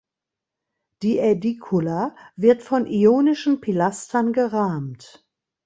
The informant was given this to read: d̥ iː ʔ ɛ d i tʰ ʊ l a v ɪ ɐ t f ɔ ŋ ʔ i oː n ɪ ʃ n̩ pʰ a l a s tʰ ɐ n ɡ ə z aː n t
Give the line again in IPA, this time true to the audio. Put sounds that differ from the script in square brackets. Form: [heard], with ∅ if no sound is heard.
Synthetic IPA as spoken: d̥ iː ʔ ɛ d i [kʰ] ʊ l a v ɪ ɐ t f ɔ [n] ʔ i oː n ɪ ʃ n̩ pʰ [i] l a s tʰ ɐ n ɡ ə [ʁ] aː [m] t